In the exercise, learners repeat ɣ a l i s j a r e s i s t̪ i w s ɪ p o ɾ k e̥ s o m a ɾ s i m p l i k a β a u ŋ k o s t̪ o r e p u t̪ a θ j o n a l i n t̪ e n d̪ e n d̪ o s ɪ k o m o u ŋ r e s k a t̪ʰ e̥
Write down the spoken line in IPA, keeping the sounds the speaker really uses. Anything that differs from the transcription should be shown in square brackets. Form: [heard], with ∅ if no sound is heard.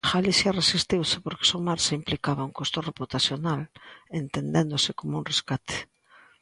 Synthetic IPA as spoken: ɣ a l i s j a r e s i s t̪ i w s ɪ p o ɾ k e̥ s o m a ɾ s i m p l i k a β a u ŋ k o s t̪ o r e p u t̪ a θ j o n a l [e] n t̪ e n d̪ e n d̪ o s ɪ k o m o u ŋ r e s k a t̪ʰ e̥